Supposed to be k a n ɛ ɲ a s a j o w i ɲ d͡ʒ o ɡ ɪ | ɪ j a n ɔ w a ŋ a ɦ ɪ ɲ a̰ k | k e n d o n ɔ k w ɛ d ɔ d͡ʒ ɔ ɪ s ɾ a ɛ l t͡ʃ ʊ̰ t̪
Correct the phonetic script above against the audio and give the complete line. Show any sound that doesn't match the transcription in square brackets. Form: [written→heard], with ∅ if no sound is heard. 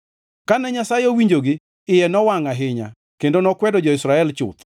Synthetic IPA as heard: k a n ɛ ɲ a s a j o w i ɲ d͡ʒ o ɡ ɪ | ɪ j [a→ɛ] n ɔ w a ŋ a ɦ ɪ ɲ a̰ [k→∅] | k e n d o n ɔ k w ɛ d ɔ d͡ʒ ɔ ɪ s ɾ a ɛ l t͡ʃ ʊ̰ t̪